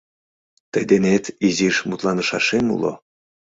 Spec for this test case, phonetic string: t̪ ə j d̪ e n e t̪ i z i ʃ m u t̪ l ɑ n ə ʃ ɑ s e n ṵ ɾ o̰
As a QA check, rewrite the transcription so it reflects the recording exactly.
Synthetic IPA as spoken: t̪ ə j d̪ e n e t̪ i z i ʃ m u t̪ l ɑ n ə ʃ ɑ ʃ e m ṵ l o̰